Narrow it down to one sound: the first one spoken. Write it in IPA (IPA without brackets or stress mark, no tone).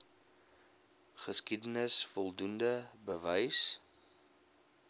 χ